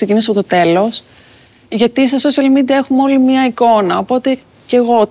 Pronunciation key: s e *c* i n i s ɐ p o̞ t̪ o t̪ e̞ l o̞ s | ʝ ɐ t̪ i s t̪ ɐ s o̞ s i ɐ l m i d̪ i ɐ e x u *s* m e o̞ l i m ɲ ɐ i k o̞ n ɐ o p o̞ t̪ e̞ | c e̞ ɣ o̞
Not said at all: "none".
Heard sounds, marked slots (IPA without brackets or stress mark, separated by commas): c, none